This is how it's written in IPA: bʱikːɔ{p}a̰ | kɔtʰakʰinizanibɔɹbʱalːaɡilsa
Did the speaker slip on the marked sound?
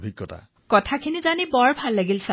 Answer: yes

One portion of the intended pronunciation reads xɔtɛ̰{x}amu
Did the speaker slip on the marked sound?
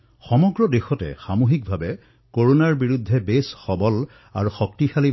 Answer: no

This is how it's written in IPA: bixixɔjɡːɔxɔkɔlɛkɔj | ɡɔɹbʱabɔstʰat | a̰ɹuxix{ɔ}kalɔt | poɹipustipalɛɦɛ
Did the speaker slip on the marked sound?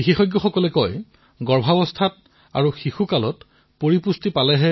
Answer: yes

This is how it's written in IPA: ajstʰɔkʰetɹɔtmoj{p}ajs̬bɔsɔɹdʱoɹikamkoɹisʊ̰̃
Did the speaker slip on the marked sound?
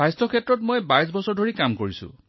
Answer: yes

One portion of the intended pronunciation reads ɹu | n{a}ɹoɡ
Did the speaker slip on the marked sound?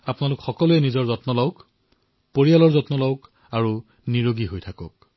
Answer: yes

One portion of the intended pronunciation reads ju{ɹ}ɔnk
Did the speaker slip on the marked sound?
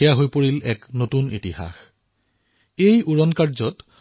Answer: no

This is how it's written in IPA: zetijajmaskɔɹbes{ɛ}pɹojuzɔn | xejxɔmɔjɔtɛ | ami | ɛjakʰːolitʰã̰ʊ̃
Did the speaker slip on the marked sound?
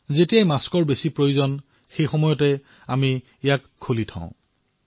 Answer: yes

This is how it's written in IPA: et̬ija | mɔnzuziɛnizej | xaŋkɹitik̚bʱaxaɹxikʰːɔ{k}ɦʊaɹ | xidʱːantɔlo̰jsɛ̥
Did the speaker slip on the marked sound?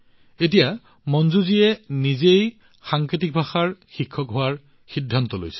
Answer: no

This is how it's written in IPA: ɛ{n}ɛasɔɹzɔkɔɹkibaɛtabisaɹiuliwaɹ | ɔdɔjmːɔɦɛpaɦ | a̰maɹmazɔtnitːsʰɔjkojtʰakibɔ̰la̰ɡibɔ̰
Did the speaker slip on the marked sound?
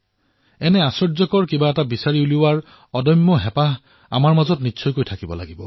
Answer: no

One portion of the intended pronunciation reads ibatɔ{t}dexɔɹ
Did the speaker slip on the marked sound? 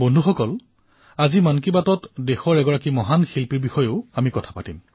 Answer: no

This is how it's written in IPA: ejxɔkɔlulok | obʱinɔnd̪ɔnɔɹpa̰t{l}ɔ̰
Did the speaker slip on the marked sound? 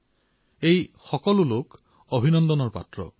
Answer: yes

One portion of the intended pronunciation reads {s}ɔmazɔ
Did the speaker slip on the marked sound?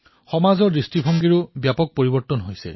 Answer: yes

